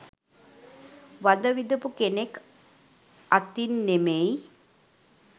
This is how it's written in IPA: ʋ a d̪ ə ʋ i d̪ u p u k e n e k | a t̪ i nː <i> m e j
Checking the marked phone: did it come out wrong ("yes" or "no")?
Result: yes